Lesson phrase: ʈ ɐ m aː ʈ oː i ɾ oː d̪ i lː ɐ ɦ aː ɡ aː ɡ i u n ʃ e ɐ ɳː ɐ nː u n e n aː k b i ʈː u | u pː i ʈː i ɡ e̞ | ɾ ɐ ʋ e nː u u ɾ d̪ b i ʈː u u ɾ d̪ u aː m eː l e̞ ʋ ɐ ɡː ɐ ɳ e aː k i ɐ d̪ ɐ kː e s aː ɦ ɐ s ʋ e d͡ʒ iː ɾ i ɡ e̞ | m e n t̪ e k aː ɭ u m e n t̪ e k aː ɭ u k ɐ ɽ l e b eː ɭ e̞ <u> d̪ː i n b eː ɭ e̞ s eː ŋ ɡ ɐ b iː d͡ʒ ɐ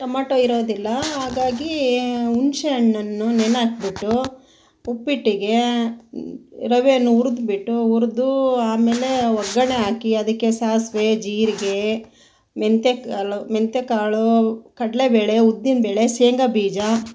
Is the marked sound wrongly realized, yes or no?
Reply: no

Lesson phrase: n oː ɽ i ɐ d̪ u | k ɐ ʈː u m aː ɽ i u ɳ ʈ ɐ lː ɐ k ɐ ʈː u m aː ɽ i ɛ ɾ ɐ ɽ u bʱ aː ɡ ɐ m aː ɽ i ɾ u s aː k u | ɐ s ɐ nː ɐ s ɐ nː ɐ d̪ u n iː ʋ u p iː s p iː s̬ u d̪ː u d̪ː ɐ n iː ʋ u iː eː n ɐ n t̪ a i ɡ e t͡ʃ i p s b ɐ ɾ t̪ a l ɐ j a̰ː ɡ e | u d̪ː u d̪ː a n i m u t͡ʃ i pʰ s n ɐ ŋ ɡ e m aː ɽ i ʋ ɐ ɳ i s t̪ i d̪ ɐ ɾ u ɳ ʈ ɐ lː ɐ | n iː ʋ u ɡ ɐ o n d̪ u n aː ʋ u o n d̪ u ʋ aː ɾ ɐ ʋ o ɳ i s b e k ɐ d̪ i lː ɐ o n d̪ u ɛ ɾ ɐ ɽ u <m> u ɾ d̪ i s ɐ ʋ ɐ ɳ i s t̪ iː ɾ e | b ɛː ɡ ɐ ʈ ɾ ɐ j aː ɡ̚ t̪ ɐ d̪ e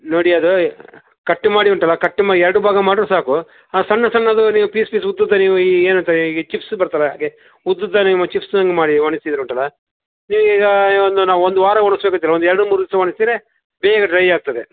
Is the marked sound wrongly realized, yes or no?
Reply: no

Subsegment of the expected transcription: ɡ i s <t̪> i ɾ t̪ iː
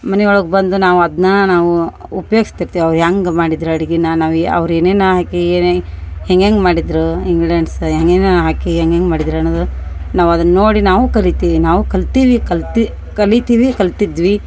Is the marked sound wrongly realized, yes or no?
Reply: no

